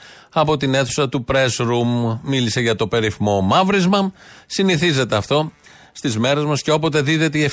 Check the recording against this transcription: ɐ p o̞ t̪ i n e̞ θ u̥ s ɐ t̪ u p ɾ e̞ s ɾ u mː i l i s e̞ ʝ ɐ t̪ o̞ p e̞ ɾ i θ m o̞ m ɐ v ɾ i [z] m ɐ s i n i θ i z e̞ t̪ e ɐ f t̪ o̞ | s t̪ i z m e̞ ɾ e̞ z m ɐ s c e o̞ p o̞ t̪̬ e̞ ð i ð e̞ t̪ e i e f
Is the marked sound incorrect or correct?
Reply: correct